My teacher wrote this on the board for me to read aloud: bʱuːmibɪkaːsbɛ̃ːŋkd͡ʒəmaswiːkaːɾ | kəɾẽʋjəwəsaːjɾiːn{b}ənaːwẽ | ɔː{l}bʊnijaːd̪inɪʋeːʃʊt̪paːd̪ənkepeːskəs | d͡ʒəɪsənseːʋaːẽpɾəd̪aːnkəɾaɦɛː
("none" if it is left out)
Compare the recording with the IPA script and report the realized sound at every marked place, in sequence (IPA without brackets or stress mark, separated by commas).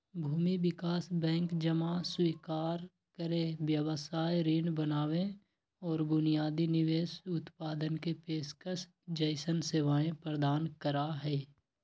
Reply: b, ɾ